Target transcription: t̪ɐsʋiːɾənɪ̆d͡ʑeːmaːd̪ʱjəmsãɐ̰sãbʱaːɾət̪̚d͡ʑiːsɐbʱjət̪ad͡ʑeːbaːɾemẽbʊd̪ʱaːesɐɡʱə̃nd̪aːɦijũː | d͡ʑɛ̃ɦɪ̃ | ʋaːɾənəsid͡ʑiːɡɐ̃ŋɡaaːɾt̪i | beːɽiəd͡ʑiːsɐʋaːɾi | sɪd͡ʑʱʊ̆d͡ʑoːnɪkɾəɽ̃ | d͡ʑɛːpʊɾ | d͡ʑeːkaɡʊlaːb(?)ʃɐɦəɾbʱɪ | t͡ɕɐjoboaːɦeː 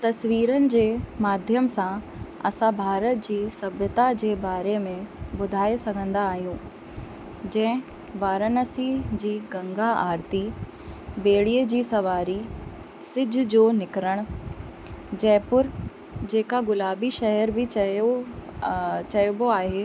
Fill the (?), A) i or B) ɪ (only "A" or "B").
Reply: A